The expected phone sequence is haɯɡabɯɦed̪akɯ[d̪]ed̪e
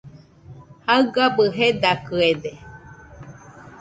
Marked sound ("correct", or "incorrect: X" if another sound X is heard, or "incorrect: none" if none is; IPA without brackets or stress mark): incorrect: none